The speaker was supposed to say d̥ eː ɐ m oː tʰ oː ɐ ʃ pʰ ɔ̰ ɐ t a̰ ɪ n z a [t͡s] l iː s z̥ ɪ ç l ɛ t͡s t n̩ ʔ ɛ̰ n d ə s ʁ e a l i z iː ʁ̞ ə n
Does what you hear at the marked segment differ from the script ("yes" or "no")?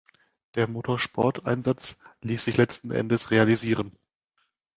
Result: no